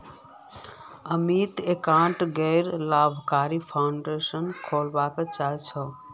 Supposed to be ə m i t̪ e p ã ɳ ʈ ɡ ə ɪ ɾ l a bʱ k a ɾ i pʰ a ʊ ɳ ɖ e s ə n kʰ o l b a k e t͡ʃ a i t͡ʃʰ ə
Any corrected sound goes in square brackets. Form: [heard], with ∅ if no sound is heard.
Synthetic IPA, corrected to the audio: ə m i t̪ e [k] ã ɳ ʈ ɡ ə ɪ ɾ l a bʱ k a ɾ i pʰ a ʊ ɳ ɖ e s ə n kʰ o l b a k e t͡ʃ a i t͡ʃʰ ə

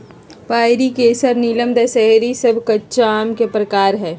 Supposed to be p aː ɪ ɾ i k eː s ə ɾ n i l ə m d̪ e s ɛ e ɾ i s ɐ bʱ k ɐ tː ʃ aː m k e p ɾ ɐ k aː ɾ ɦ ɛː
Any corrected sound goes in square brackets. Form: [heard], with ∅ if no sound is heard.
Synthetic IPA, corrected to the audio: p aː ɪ ɾ i k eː s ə ɾ n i l ə m d̪ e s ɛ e ɾ i s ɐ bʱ k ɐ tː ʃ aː m k e p ɾ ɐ k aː ɾ ɦ ɛː

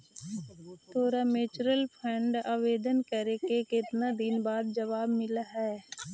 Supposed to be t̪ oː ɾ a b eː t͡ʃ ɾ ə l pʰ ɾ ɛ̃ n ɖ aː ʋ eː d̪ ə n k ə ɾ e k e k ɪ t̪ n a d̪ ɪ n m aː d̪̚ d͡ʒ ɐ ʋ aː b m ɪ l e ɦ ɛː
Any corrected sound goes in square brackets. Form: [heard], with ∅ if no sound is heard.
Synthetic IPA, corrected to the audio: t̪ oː ɾ a [m] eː t͡ʃ ɾ ə l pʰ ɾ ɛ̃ [ɳ] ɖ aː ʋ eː d̪ ə n k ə ɾ e k e k ɪ t̪ n a d̪ ɪ n [b] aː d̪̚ d͡ʒ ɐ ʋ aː b m ɪ l [a] ɦ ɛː

